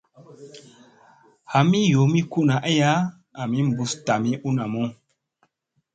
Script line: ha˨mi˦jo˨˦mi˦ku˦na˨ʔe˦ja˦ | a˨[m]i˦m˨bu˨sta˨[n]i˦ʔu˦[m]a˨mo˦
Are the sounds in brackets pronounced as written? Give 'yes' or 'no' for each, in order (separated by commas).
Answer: yes, no, no